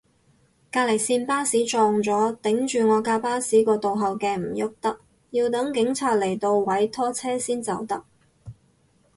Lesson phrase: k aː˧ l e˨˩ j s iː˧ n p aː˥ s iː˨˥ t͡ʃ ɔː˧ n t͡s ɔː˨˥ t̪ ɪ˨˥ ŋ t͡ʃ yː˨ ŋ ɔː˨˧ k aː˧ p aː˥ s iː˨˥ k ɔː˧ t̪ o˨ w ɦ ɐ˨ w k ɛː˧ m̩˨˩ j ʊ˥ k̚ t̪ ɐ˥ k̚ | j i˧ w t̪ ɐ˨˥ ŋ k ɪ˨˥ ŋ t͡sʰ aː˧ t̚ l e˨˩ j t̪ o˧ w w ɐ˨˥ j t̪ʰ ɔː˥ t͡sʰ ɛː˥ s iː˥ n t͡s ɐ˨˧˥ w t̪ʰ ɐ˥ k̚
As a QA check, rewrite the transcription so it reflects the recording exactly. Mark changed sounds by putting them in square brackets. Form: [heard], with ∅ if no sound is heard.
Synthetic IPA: k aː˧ l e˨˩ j s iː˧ n p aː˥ s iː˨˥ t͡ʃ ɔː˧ [ŋ] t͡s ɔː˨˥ t̪ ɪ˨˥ ŋ t͡ʃ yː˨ ŋ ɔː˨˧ k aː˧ p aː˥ s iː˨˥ k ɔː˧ t̪ o˨ w ɦ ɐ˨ w k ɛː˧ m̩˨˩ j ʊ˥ k̚ t̪ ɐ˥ k̚ | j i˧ w t̪ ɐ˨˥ ŋ k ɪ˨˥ ŋ t͡sʰ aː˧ t̚ l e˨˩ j t̪ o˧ w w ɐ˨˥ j t̪ʰ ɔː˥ t͡sʰ ɛː˥ s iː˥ n t͡s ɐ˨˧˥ w [t̪] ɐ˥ k̚

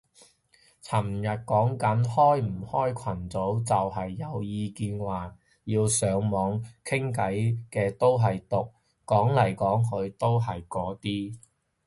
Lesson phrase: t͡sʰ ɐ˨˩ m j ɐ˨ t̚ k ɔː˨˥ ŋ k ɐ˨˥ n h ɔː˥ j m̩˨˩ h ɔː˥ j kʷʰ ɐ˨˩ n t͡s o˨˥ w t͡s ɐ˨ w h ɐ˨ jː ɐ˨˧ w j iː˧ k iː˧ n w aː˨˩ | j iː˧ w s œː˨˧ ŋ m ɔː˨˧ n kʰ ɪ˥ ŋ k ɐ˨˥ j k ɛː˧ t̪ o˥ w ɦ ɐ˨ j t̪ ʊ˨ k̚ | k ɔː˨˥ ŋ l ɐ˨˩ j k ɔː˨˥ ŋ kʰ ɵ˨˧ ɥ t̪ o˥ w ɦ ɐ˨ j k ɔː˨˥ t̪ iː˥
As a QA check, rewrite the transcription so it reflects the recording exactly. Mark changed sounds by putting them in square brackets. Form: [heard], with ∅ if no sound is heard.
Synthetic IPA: t͡sʰ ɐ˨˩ m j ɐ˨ t̚ k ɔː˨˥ ŋ k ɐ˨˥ n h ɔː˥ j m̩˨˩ h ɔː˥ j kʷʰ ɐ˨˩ n t͡s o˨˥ w t͡s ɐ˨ w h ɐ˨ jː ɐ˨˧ w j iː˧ k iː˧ n w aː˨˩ | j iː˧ w s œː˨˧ ŋ m ɔː˨˧ [ŋ] kʰ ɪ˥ ŋ k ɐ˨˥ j k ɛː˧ t̪ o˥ w ɦ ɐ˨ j t̪ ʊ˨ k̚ | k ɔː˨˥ ŋ l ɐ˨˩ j k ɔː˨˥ ŋ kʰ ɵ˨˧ ɥ t̪ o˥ w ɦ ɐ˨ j k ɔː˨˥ t̪ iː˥

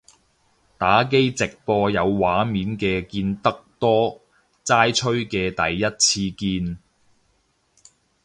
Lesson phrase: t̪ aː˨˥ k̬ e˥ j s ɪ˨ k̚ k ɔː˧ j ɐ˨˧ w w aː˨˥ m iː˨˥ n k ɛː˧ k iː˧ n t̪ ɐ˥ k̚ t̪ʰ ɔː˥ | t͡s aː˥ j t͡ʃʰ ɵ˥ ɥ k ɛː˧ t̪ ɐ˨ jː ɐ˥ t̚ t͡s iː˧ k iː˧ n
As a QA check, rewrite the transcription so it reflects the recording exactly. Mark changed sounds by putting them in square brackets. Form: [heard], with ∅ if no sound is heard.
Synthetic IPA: t̪ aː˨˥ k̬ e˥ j [t͡s] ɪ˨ k̚ [p] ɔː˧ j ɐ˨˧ w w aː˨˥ m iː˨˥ n k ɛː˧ k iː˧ n t̪ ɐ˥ k̚ [t̪] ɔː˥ | t͡s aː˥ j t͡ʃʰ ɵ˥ ɥ k ɛː˧ t̪ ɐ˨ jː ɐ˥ t̚ [t͡sʰ] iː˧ k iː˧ n

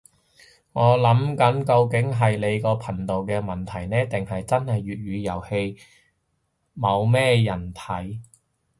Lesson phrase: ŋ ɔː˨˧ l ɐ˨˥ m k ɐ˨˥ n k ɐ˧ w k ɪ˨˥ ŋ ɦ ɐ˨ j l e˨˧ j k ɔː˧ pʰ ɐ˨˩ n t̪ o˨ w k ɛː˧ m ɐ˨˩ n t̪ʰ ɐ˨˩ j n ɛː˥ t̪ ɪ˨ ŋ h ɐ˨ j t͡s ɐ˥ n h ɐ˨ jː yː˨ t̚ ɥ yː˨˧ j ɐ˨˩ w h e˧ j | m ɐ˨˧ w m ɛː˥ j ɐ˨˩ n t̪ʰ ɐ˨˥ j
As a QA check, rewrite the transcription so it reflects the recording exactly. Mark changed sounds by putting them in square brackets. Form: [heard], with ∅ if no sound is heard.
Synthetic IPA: ŋ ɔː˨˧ l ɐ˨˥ m k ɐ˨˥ n k ɐ˧ w k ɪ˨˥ ŋ ɦ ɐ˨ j l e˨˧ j k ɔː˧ pʰ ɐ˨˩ n t̪ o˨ w k ɛː˧ m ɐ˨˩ n t̪ʰ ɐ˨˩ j n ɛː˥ t̪ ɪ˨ ŋ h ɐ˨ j t͡s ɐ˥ n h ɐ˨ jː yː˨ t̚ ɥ yː˨˧ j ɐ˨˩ w h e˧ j | m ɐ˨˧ w m ɛː˥ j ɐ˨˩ n t̪ʰ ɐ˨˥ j

